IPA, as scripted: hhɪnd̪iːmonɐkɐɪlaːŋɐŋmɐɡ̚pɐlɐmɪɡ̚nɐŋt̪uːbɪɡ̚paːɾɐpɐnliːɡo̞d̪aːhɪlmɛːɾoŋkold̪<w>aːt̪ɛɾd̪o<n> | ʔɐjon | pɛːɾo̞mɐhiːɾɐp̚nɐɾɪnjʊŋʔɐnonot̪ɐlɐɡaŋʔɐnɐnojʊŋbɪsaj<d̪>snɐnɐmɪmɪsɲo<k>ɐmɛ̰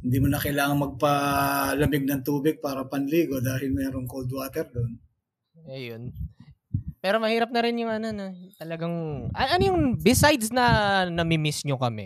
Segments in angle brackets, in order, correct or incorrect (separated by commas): correct, correct, correct, correct